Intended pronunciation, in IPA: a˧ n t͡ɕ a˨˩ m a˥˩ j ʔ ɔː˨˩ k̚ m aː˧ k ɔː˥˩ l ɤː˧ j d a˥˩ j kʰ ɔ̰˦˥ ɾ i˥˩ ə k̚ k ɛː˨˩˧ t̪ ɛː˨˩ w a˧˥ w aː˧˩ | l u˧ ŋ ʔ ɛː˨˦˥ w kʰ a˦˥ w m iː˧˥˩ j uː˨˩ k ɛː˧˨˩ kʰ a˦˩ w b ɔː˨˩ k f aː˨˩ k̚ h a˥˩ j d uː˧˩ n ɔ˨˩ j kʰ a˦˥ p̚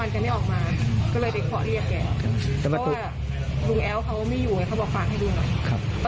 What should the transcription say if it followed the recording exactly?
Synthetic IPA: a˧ n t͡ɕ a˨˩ m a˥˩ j ʔ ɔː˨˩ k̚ m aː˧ k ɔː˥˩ l ɤː˧ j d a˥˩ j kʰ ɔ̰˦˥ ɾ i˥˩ ə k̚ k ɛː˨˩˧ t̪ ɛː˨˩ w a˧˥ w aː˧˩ | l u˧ ŋ ʔ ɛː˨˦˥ w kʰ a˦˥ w m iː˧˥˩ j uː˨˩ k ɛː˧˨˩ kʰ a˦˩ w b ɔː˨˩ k f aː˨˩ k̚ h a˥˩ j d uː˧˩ n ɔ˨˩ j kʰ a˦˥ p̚